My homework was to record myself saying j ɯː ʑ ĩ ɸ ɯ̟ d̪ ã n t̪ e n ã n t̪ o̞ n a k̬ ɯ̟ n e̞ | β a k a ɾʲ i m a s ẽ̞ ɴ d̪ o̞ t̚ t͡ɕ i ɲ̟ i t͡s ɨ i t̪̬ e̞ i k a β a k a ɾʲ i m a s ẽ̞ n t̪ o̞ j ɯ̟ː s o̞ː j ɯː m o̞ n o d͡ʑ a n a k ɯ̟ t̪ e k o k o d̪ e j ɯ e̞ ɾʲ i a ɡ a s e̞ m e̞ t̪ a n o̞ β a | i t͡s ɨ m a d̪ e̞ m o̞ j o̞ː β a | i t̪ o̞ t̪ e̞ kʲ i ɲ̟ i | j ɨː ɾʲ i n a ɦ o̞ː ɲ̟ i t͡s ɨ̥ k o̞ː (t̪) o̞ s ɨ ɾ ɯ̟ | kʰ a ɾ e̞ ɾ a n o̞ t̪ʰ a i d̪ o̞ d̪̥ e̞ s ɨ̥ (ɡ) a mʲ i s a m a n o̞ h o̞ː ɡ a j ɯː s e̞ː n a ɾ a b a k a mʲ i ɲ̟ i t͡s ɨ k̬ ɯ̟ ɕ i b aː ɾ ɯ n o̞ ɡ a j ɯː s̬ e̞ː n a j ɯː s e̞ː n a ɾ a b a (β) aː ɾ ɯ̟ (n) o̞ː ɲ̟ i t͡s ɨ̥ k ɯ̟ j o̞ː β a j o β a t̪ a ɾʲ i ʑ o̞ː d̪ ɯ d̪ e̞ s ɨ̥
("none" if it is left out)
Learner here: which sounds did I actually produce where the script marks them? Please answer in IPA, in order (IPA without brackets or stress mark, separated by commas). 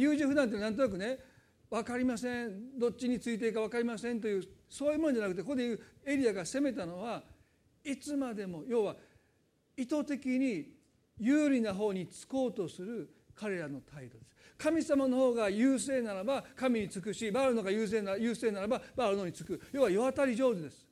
t̪, k, b, n